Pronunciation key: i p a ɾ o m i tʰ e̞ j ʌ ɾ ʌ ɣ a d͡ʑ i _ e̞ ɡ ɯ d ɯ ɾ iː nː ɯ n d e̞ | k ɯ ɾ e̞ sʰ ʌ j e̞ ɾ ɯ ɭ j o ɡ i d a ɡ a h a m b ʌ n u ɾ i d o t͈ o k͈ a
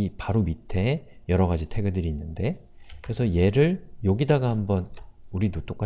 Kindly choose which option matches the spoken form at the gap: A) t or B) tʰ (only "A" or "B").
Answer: B